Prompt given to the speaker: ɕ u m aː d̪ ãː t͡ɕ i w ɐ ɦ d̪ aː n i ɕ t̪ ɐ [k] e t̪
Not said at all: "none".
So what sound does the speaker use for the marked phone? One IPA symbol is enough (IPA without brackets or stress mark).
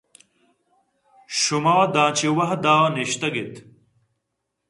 ɡ